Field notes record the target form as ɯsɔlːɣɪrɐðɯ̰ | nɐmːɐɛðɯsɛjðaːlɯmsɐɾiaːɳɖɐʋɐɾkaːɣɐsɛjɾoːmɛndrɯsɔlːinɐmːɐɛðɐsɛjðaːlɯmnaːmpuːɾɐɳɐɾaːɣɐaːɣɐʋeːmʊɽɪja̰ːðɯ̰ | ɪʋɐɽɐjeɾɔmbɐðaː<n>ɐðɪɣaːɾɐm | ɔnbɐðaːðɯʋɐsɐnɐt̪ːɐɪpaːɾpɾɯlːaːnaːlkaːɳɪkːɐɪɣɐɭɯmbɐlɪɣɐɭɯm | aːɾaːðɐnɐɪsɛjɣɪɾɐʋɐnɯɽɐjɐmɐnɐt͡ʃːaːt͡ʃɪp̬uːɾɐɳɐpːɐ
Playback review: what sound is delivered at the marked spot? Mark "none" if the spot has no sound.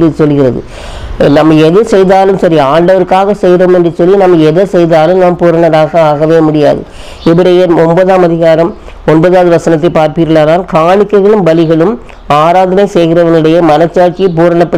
m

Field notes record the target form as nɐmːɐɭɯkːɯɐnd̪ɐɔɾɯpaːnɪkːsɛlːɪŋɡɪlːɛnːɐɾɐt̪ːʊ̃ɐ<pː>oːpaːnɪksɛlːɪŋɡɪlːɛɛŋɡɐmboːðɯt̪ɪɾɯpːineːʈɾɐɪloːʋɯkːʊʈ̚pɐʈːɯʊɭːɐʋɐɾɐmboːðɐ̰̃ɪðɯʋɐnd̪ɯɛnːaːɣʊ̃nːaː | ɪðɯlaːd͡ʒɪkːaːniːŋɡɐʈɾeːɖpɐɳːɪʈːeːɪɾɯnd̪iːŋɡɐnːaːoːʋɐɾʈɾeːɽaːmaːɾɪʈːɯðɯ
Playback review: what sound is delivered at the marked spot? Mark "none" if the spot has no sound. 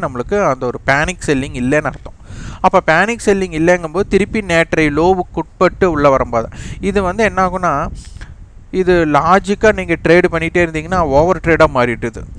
pː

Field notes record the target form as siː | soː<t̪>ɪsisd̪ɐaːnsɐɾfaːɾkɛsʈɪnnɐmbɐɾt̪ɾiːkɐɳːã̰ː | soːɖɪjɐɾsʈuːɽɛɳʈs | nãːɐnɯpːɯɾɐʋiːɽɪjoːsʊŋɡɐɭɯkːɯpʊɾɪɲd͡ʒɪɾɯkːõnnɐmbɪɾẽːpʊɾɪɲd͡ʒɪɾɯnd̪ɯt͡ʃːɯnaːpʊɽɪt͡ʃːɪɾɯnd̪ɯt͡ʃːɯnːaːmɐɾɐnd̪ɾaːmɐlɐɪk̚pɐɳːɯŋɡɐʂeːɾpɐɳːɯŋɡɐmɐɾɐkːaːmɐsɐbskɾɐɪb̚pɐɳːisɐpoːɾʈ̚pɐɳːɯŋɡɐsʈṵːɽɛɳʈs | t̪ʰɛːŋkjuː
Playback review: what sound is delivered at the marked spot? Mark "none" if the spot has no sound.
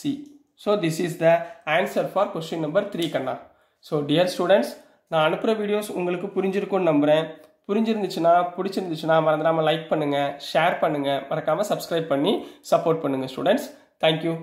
d̪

